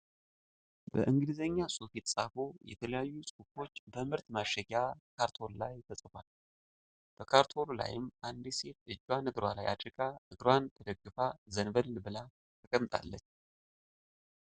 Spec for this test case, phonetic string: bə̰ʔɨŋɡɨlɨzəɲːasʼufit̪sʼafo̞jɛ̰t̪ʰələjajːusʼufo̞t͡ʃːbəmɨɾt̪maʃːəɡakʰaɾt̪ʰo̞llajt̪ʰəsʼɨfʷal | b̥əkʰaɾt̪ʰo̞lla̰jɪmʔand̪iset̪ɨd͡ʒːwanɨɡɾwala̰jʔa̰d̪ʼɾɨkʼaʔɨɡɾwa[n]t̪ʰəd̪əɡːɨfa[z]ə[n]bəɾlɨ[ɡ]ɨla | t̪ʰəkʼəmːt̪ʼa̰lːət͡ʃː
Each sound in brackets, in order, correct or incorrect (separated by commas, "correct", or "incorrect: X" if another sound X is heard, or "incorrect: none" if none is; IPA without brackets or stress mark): correct, correct, correct, incorrect: b